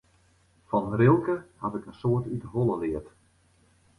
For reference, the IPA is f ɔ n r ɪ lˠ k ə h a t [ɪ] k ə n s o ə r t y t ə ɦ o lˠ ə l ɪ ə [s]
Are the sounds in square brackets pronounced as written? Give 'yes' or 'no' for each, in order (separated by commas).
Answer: yes, no